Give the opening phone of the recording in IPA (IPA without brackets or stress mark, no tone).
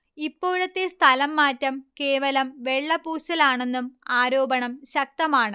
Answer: i